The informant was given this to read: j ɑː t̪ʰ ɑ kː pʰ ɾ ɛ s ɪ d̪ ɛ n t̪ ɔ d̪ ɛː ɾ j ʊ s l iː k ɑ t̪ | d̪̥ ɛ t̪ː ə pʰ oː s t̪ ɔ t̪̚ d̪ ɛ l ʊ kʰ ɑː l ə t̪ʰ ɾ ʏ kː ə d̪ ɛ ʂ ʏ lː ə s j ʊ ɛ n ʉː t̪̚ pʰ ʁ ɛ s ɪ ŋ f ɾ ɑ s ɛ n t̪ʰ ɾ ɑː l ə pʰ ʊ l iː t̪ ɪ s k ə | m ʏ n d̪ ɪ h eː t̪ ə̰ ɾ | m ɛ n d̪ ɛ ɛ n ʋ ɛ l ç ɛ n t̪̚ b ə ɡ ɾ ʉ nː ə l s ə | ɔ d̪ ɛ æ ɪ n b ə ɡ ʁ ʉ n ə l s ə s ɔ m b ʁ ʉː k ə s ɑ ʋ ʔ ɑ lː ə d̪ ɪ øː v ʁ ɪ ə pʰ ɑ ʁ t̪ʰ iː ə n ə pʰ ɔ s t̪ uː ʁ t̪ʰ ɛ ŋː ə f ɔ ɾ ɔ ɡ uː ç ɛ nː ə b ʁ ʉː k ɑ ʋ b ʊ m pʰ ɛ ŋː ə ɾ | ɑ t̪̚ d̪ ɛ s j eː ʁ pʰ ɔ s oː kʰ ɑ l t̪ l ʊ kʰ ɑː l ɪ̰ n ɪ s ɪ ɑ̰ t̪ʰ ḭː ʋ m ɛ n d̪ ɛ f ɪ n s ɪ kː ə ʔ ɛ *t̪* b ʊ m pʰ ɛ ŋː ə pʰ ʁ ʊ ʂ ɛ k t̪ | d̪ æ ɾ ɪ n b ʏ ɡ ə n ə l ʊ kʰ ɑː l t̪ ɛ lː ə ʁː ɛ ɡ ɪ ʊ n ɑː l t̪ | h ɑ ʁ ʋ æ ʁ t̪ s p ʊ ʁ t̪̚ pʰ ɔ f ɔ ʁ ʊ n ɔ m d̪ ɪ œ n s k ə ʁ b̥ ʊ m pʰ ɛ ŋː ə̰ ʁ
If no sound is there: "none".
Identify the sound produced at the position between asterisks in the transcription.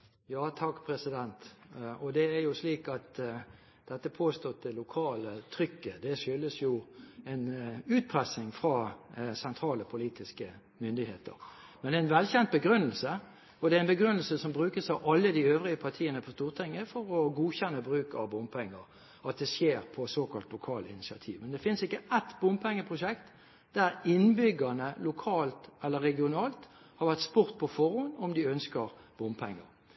t̪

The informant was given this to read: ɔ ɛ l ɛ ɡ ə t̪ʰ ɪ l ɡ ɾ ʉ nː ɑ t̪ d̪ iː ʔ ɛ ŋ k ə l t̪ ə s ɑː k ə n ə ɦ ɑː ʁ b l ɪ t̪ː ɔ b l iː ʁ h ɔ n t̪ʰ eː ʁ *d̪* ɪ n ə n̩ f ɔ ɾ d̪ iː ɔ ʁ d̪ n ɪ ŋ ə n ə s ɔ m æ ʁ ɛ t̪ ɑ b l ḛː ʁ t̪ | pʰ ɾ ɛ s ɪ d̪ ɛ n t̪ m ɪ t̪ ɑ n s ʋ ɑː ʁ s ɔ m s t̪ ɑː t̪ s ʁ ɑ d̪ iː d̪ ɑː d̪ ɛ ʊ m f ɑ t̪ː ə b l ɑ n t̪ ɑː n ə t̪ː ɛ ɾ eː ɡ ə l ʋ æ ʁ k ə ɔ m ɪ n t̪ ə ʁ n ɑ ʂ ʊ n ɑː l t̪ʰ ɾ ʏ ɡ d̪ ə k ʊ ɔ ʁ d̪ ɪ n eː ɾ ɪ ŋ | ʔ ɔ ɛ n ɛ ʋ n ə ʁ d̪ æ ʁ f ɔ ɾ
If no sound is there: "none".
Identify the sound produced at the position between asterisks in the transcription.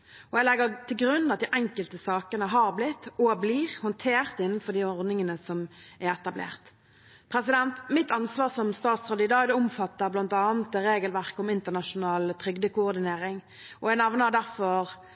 t̪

